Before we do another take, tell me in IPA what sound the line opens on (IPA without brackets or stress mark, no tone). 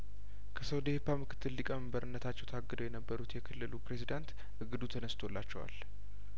kʰ